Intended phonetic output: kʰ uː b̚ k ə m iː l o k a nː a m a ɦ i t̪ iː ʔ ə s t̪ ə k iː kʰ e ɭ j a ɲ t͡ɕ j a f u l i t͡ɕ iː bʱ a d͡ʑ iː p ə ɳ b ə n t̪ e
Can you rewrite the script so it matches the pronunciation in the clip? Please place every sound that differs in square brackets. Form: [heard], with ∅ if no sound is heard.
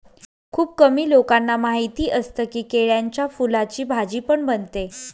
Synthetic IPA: kʰ uː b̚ k ə m iː l o k a nː a m a ɦ i t̪ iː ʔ ə s t̪ ə k iː [k] e ɭ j a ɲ t͡ɕ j a f u l [a] t͡ɕ iː bʱ a d͡ʑ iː p ə ɳ b ə n t̪ e

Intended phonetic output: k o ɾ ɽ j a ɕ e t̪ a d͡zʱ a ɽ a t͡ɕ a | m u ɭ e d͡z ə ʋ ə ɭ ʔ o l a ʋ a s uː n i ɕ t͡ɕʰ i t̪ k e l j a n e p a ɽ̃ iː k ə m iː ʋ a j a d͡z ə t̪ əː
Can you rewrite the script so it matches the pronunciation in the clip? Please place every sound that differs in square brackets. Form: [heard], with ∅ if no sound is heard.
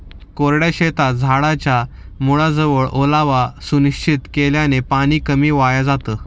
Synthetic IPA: k o ɾ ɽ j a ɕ e t̪ a d͡zʱ a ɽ a t͡ɕ a | m u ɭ [a] d͡z ə ʋ ə ɭ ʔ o l a ʋ a s [u] n i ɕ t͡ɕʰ i t̪ k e l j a n e p a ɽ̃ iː k ə m iː ʋ a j a d͡z [a] t̪ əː

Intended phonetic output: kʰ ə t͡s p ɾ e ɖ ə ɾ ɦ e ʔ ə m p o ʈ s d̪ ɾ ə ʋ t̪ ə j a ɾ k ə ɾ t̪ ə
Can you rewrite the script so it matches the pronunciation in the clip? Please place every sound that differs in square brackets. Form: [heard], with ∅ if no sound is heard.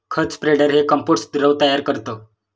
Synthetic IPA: kʰ ə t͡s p ɾ e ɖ ə ɾ ɦ e [k] ə m p o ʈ s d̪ ɾ ə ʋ t̪ ə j a ɾ k ə ɾ t̪ ə

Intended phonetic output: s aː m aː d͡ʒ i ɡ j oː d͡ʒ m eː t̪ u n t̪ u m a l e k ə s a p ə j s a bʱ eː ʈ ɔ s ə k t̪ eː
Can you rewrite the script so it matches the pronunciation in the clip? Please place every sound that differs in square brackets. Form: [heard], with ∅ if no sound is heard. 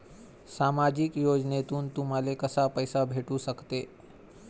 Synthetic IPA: s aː m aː d͡ʒ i [k] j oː d͡ʒ [n] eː t̪ u n t̪ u m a l e k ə s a p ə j s a bʱ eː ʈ [u] s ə k t̪ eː

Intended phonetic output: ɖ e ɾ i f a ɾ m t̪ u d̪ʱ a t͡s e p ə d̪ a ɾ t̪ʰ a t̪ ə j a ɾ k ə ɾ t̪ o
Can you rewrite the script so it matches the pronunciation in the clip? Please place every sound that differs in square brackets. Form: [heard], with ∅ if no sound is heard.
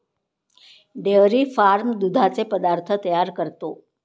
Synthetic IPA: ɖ e ɾ i f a ɾ m [d̪] u d̪ʱ a t͡s e p ə d̪ a ɾ t̪ʰ [ə] t̪ ə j a ɾ k ə ɾ t̪ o

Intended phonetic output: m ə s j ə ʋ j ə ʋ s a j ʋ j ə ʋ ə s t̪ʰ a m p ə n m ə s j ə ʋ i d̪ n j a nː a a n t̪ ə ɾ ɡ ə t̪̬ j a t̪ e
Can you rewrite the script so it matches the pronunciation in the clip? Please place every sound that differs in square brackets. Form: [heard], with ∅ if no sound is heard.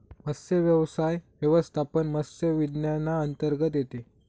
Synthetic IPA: m ə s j ə ʋ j ə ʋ s a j ʋ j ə ʋ ə s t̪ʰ a [∅] p ə n m ə s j ə ʋ i d̪ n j a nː a [ə] n t̪ ə ɾ ɡ ə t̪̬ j [e] t̪ e

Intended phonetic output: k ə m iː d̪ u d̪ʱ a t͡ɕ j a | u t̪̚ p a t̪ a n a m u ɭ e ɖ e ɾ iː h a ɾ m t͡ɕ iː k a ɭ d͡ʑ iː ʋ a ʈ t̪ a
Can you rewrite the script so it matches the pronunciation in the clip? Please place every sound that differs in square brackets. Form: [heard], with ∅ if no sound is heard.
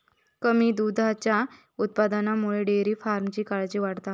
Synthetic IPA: k ə m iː d̪ u d̪ʱ a t͡ɕ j a | u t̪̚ p a [d̪] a n a m u ɭ e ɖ e ɾ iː [f] a ɾ m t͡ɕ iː k a ɭ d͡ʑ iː ʋ a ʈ t̪ a

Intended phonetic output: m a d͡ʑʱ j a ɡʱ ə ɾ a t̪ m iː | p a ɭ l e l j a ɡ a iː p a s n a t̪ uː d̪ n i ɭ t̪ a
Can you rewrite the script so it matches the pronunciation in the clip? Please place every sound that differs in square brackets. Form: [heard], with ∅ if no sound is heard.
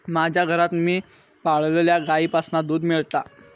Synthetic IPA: m a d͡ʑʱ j a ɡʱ ə ɾ a t̪ m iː | p a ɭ l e l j a ɡ a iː p a s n a [d̪] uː d̪ [m] i ɭ t̪ a

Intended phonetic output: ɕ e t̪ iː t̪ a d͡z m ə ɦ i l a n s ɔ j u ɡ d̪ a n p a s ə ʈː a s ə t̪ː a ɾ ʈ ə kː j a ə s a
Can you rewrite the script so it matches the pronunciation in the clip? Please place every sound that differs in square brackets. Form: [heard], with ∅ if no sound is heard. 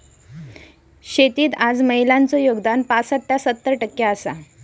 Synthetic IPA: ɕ e t̪ iː t̪ a d͡z m ə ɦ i l a n [t͡s] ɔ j [o] ɡ d̪ a n p a s ə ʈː a s ə t̪ː [ə] ɾ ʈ ə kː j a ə s a

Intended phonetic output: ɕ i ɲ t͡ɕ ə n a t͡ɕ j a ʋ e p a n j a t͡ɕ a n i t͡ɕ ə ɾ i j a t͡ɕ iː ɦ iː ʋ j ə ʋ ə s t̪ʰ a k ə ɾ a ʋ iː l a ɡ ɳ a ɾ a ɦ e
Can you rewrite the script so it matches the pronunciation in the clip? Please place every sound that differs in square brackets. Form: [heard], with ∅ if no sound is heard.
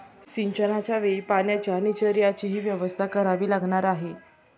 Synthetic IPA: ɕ i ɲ t͡ɕ ə n a t͡ɕ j a ʋ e p a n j a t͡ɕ a n i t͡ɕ ə ɾ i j a t͡ɕ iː ɦ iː ʋ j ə ʋ ə s t̪ʰ a k ə ɾ a ʋ iː l a ɡ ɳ a ɾ a ɦ e

